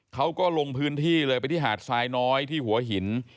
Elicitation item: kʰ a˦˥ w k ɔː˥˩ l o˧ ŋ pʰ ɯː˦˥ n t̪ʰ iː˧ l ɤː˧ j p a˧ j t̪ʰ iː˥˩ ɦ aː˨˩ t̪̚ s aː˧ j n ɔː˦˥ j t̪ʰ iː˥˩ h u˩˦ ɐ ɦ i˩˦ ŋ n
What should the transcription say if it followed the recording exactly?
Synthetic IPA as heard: kʰ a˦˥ w k ɔː˥˩ l o˧ ŋ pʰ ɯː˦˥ n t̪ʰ iː˥˩ l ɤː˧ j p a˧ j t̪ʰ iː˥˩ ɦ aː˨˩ t̪̚ s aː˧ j n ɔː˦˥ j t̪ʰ iː˥˩ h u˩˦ ɐ ɦ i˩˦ n

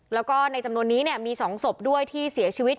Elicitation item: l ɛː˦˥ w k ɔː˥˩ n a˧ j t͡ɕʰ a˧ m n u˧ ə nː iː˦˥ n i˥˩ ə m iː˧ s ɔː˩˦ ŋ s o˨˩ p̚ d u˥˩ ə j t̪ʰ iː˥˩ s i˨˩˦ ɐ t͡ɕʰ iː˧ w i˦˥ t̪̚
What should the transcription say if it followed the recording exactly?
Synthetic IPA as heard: l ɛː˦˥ w k ɔː˥˩ n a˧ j t͡ɕ a˧ m n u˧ ə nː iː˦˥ n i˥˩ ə m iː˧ s ɔː˩˦ ŋ s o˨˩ p̚ d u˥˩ ə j t̪ʰ iː˥˩ s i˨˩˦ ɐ t͡ɕʰ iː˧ w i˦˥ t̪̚

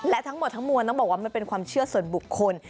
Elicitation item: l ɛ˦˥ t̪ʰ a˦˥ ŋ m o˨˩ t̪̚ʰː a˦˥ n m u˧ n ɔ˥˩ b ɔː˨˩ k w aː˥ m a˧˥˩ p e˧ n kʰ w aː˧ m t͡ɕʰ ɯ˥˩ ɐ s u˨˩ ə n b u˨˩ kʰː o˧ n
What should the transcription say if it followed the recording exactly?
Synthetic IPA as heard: l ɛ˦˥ t̪ʰ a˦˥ ŋ m o˨˩ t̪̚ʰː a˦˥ ŋ m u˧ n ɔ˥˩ b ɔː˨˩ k w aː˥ m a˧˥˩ p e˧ n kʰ w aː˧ m t͡ɕʰ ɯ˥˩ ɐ s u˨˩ ə n b u˨˩ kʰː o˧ n

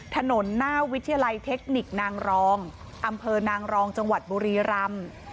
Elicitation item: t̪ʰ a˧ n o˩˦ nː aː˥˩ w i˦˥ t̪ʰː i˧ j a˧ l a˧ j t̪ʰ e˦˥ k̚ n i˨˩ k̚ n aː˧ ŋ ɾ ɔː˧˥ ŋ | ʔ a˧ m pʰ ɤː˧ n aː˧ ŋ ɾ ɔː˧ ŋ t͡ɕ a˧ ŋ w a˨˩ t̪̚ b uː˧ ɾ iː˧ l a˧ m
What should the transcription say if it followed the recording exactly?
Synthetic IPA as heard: t̪ʰ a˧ n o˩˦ nː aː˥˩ w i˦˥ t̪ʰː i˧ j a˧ l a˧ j t̪ʰ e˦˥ k̚ n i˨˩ k̚ n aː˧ ŋ ɾ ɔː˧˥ ŋ | ʔ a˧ m pʰ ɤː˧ n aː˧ ŋ ɾ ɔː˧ ŋ t͡ɕ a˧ ŋ w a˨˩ t̪̚ b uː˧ ɾ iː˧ ɾ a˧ m

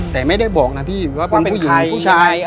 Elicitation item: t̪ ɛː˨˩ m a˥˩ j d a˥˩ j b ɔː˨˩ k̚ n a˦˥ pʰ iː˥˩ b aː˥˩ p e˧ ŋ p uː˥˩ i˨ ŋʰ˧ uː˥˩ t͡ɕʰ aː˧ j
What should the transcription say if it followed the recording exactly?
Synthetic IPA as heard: t̪ ɛː˨˩ m a˥˩ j d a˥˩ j b ɔː˨˩ k̚ n a˦˥ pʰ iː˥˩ w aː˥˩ p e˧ n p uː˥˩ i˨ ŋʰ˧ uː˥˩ t͡ɕʰ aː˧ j

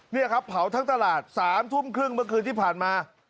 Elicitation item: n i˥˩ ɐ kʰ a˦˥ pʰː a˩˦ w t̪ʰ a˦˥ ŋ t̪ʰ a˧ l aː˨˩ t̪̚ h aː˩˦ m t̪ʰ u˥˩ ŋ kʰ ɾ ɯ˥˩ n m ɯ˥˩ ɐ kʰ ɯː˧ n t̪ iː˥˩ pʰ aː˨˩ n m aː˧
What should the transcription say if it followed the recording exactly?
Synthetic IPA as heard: n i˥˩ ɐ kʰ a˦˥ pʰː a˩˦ w t̪ʰ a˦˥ ŋ t̪ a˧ l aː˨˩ t̪̚ s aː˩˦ m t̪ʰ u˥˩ m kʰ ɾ ɯ˥˩ ŋ m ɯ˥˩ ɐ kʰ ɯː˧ n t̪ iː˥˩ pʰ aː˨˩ n m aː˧

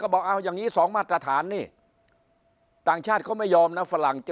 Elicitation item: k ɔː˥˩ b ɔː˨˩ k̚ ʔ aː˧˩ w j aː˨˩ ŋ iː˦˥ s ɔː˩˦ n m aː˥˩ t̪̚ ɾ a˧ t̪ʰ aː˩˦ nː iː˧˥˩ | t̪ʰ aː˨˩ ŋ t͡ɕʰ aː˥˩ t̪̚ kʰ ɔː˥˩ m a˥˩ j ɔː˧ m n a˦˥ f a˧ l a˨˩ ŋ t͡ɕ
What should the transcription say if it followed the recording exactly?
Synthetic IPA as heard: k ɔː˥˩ b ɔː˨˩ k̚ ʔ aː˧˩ w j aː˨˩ ŋ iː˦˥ s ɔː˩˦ ŋ m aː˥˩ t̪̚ ɾ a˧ t̪ʰ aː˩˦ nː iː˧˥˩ | t̪ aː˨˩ ŋ t͡ɕʰ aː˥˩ t̪̚ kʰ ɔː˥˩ m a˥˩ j ɔː˧ m n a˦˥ f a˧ l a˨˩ ŋ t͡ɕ

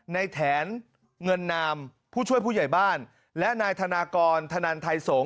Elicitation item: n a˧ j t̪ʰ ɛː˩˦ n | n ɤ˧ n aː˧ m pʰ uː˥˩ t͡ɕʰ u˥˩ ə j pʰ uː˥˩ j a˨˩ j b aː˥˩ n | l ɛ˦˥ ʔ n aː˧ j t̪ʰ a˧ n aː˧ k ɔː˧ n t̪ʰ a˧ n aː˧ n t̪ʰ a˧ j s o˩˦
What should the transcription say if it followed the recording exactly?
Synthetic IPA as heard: n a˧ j t̪ʰ ɛː˩˦ n | ŋ ɤ˧ nː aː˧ m pʰ uː˥˩ t͡ɕʰ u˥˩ ə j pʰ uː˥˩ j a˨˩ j b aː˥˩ n | l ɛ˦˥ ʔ n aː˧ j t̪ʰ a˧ n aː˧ k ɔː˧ n t̪ʰ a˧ n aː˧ n t̪ʰ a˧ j s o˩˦

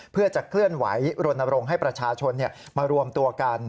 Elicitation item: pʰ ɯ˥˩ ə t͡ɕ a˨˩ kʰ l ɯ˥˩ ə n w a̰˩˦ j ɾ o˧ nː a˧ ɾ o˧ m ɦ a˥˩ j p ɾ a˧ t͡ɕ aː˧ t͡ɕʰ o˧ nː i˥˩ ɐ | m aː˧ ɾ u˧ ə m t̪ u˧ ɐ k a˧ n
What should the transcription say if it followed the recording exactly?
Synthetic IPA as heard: pʰ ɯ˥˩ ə t͡ɕ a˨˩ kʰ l ɯ˥˩ ə n w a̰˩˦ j ɾ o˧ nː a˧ ɾ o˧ ŋ ɦ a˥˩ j p ɾ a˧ t͡ɕʰ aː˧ t͡ɕʰ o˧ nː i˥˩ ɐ | m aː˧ ɾ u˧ ə m t̪ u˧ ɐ k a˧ n

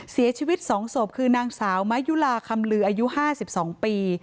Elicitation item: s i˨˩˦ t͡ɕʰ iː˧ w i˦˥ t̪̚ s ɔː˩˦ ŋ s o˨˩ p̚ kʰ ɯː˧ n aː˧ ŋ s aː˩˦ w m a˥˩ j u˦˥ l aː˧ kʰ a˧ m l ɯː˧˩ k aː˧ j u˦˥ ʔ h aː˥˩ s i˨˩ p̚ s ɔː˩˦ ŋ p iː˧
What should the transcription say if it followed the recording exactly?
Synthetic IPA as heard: s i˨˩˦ t͡ɕʰ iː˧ w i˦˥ t̪̚ s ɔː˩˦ ŋ s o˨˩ p̚ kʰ ɯː˧ n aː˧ ŋ s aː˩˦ w m a˦˥ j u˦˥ l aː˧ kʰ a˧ m l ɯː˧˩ ʔ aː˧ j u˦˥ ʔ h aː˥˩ s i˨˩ p̚ s ɔː˩˦ ŋ p iː˧

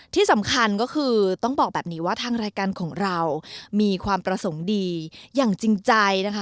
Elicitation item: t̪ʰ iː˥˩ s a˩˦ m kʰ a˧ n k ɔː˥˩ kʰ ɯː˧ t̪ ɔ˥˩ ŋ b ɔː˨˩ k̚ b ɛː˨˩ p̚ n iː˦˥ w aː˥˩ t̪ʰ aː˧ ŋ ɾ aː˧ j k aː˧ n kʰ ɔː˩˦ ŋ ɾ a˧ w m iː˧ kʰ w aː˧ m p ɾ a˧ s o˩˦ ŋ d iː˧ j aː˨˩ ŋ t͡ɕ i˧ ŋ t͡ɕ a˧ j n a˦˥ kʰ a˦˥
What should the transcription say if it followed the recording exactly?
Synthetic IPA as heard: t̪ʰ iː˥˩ s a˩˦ m kʰ a˧ n k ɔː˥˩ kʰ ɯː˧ t̪ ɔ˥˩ ŋ b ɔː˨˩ k̚ b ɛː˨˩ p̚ n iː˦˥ w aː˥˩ t̪ʰ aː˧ ŋ ɾ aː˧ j k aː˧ n kʰ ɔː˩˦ ŋ ɾ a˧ w m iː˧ kʰ w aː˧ m p ɾ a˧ s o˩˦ ŋ d iː˧ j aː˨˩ ŋ t͡ɕ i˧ ŋ t͡ɕ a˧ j n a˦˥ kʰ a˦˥

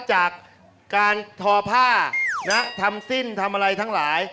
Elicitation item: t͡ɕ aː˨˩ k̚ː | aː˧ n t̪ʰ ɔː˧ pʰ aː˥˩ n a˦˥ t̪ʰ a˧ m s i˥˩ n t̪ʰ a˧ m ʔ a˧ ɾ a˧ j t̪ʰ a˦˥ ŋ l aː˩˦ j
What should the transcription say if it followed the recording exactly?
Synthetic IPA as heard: t͡ɕ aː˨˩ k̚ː | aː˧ n t̪ʰ ɔː˧ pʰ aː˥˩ n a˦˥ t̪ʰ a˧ m s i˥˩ n t̪ʰ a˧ m ʔ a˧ ɾ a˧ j t̪ʰ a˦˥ ŋ l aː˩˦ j

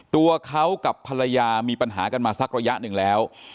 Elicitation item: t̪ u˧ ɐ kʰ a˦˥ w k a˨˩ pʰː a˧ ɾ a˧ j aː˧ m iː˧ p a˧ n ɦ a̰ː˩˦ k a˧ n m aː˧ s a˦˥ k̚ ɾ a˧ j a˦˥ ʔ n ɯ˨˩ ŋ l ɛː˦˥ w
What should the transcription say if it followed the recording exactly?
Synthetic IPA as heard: t̪ u˧ ɐ kʰ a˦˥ w k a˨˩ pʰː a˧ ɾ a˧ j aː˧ m iː˧ p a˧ n ɦ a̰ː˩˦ k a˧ n m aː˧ s a˦˥ k̚ ɾ a˧ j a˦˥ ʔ n ɯ˨˩ ŋ l ɛː˦˥ w

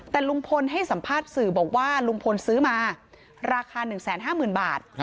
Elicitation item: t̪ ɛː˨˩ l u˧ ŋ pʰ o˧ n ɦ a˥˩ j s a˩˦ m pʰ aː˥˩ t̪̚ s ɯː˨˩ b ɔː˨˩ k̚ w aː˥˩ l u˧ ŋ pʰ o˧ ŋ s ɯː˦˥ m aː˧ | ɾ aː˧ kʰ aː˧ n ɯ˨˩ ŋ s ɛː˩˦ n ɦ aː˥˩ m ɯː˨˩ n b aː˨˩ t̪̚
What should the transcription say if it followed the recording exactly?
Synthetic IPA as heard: t̪ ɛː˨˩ l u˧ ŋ pʰ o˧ n ɦ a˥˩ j s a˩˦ m pʰ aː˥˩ t̪̚ s ɯː˨˩ b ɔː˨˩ k̚ w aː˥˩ l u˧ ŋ pʰ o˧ n s ɯː˦˥ m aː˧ | ɾ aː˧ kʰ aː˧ n ɯ˨˩ ŋ s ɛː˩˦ n ɦ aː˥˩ m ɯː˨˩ n b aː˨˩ t̪̚

